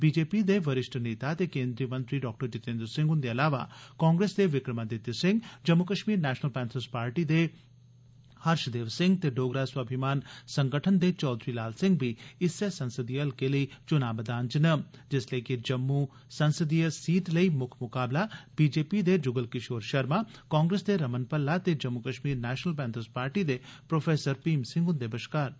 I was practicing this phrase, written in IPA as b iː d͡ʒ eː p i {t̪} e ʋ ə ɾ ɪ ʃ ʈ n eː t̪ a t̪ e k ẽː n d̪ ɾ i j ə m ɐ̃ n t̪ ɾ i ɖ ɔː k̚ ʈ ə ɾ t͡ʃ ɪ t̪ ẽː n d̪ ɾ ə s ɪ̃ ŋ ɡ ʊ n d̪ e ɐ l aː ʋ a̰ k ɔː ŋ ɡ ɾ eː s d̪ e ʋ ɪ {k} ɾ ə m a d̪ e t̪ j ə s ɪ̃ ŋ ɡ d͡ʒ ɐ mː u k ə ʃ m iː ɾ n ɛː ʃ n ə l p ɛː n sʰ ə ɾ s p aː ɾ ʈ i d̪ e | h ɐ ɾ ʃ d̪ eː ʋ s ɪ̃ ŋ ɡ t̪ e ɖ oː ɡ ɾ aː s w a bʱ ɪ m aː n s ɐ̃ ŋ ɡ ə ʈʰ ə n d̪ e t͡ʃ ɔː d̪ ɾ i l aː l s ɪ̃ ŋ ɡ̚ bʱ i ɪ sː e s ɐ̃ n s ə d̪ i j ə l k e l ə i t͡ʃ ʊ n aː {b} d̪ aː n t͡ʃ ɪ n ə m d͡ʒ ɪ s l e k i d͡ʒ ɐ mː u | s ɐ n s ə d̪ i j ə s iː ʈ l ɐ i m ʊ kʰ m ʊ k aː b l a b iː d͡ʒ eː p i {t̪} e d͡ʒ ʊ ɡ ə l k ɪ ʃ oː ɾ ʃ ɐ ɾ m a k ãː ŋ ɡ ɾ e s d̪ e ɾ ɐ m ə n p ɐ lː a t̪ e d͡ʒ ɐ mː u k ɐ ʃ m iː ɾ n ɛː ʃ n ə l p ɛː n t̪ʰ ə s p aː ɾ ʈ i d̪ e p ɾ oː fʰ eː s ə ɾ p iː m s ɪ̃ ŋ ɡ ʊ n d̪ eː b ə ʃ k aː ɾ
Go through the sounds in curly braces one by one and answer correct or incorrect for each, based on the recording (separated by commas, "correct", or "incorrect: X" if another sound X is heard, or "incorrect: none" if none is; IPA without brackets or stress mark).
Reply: incorrect: d̪, correct, correct, incorrect: d̪